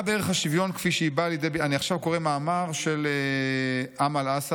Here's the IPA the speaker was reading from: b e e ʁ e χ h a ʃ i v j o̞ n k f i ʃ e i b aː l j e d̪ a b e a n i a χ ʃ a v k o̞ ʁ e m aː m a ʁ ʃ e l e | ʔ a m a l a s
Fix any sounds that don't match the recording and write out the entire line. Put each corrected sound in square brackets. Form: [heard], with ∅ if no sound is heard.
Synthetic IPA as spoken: b e e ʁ e χ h a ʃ i v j o̞ n k f i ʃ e i b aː l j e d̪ [e] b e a n i a χ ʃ a v k o̞ ʁ e m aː m a ʁ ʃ e l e | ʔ a m a l a s